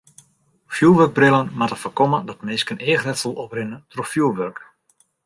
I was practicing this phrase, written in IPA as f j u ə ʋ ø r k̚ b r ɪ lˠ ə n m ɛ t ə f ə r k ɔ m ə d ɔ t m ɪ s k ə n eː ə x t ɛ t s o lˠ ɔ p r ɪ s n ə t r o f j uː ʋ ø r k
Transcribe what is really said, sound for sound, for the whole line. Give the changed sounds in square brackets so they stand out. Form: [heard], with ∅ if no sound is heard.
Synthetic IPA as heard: f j u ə ʋ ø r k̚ b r ɪ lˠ ə n m [a] t ə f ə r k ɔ m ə d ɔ t m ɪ s k ə n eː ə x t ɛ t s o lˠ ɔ p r ɪ [∅] n ə t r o f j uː ʋ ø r k

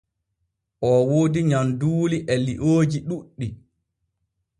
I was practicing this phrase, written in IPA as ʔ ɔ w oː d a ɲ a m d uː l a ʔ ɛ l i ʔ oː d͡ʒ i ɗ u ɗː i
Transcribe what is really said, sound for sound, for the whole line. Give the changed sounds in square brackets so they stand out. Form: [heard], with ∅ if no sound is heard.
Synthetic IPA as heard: ʔ ɔ w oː d [i] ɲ a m d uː l [i] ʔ ɛ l i ʔ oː d͡ʒ i ɗ u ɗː i

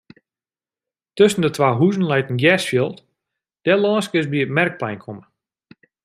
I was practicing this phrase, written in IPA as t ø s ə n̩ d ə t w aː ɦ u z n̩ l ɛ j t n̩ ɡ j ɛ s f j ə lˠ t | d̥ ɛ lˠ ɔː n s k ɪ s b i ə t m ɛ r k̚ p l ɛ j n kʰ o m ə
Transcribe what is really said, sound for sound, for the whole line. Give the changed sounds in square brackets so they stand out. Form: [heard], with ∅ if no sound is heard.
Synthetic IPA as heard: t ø s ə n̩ d ə t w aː ɦ u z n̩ l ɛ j t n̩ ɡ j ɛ s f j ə lˠ t | d̥ ɛ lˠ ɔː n s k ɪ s b i ə t m ɛ r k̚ p l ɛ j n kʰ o m ə

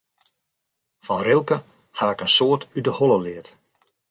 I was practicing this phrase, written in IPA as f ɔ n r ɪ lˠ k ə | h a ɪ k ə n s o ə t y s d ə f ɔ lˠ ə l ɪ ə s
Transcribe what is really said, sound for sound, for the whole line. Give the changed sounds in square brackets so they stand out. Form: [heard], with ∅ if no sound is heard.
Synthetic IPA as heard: f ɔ n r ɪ lˠ k ə | h a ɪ k ə n s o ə t y [∅] d ə [h] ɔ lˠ ə l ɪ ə [t]

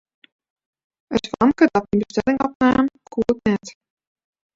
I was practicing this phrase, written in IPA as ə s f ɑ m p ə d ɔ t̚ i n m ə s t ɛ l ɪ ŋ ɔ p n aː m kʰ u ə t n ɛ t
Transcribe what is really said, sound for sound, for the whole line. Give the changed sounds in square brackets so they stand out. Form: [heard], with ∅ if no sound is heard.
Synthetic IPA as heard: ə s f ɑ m [k] ə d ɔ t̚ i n [b] ə s t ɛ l ɪ ŋ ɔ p n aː m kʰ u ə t n ɛ t

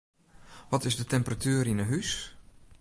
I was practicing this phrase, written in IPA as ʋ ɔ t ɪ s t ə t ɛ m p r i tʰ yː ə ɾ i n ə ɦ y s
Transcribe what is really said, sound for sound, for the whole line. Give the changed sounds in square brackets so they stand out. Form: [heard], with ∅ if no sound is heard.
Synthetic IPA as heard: ʋ ɔ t ɪ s [d] ə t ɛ m p r [a] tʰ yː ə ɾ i n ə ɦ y s

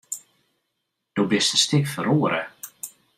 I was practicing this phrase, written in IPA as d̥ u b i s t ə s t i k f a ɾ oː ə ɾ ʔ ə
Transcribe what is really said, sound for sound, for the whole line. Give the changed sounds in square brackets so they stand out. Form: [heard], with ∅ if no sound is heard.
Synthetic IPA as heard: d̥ [o] b [ɪ] s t ə s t [ɪ] k f [ə] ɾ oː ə ɾ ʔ ə

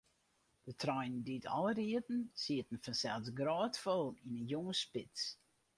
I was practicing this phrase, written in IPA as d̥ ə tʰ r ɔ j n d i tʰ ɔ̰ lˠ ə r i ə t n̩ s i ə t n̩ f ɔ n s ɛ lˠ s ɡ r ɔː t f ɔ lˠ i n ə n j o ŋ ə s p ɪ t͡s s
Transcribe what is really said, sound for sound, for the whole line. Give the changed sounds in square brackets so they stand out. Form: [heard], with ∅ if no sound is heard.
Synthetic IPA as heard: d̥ ə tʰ r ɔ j n d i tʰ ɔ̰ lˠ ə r i ə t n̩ s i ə t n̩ f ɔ n s ɛ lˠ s ɡ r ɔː t f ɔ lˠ i n ə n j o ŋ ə s p ɪ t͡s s

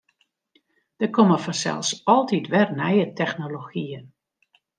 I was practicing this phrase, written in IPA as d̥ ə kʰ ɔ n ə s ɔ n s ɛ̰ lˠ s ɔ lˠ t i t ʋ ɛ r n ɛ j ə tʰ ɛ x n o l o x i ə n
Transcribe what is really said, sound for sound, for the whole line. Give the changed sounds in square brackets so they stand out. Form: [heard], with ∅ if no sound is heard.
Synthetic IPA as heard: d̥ ə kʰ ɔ [m] ə [f] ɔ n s ɛ̰ lˠ s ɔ lˠ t i t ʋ ɛ r n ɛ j ə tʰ ɛ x n o l o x i ə n

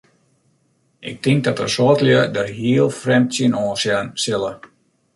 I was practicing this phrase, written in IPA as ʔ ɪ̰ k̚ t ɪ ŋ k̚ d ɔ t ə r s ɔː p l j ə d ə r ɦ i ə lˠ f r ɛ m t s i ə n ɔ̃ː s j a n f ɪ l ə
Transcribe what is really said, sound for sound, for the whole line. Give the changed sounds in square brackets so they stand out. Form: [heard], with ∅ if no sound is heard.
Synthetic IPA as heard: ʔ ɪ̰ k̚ t ɪ ŋ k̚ d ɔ t ə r s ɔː [t] l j ə d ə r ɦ i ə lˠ f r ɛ m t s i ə n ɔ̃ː s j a n [s] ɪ l ə

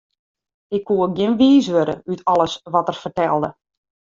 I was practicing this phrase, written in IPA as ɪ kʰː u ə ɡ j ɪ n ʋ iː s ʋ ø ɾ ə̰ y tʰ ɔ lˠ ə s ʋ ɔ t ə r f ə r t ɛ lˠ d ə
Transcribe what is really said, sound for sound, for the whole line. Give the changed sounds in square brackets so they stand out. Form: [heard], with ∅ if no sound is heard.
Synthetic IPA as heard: ɪ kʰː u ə ɡ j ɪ n ʋ iː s ʋ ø ɾ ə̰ y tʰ ɔ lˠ ə s ʋ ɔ t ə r f ə r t ɛ lˠ d ə

